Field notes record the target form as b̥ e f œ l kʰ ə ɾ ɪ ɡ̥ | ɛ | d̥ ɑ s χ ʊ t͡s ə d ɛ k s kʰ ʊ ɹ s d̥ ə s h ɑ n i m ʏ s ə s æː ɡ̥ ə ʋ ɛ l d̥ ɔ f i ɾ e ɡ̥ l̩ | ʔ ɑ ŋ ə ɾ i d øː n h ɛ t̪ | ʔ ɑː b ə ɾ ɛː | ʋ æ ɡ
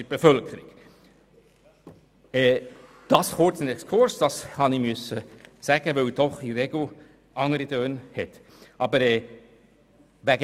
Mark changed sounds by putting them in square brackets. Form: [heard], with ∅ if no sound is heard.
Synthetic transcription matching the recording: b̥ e f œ l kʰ ə ɾ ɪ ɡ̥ | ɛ | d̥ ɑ s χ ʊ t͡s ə [n] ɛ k s kʰ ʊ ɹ s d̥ [ɑ] s h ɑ n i m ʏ s ə s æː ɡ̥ ə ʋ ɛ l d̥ ɔ [χ] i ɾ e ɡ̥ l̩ | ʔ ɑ ŋ ə ɾ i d øː n h ɛ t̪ | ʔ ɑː b ə ɾ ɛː | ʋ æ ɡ